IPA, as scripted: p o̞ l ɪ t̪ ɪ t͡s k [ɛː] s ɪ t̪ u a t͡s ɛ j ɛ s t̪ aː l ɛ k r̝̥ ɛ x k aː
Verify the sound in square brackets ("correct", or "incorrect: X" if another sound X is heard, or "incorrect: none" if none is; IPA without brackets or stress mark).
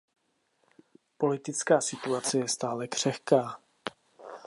incorrect: aː